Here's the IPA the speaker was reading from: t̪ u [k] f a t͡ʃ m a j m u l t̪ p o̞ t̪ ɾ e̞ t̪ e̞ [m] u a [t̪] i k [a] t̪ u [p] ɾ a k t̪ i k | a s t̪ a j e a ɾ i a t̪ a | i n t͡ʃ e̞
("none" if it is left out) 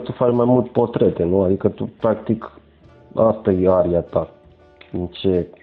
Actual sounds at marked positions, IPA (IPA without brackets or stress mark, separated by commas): none, n, d̪, ə, p